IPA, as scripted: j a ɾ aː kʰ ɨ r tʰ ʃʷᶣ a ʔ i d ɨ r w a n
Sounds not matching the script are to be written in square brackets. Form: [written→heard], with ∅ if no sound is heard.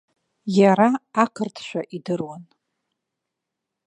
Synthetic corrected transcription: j a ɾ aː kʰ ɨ r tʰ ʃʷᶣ a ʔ i d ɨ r w a n